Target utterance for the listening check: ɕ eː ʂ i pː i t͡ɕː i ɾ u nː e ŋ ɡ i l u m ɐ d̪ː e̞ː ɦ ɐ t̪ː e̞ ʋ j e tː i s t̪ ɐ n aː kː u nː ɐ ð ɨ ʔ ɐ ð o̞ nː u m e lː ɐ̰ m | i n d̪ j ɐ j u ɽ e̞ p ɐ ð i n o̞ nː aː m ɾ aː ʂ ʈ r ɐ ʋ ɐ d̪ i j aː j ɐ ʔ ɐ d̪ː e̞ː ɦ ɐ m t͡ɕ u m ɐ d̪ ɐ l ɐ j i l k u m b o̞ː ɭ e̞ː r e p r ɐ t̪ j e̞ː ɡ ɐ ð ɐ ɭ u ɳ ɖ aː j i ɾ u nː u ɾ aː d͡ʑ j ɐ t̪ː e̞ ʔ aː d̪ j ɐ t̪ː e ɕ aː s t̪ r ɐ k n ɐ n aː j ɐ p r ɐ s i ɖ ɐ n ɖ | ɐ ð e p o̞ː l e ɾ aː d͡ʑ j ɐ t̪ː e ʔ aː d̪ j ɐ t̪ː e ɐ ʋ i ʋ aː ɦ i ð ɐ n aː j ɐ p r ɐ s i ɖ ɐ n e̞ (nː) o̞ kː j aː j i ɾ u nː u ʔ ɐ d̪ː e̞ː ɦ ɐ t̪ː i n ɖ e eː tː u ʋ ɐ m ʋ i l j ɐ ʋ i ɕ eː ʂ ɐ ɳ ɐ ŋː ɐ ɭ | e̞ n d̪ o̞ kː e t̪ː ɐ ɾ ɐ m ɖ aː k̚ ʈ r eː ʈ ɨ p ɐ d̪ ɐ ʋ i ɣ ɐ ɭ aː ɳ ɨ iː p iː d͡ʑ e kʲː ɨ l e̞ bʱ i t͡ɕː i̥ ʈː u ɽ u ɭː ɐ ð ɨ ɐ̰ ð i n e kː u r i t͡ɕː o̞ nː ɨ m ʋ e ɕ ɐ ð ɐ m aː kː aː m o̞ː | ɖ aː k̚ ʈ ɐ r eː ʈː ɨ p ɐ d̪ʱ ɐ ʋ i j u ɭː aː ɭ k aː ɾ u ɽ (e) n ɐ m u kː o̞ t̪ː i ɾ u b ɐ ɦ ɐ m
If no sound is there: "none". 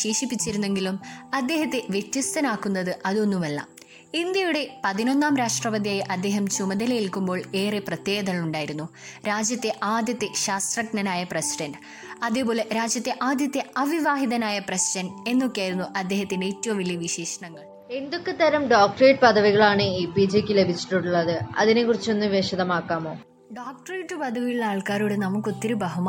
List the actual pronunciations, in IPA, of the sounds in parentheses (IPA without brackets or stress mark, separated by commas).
nː, e